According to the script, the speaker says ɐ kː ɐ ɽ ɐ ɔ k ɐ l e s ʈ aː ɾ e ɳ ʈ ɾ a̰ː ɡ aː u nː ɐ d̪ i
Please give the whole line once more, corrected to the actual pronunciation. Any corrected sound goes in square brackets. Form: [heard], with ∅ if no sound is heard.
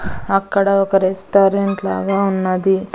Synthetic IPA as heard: ɐ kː ɐ ɽ ɐ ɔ k ɐ [ɾ] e s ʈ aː ɾ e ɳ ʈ [l] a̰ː ɡ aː u nː ɐ d̪ i